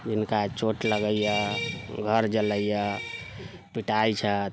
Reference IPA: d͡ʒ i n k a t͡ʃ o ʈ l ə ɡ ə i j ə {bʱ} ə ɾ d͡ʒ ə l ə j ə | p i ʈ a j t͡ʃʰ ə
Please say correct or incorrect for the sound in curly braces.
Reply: incorrect: ɡʱ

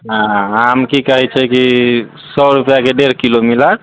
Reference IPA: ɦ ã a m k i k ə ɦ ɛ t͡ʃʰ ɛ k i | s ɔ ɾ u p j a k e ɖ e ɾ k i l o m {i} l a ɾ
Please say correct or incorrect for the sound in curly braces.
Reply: correct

